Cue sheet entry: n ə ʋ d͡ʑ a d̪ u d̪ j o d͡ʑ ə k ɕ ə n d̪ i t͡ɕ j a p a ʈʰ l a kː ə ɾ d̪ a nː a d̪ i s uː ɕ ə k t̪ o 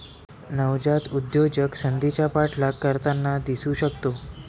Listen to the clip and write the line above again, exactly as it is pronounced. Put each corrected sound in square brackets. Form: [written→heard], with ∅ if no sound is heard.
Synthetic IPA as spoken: n ə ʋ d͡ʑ a [d̪→t̪] u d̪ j o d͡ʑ ə k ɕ ə n d̪ i t͡ɕ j a p a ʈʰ l a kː ə ɾ [d̪→t̪] a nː a d̪ i s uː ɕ ə k t̪ o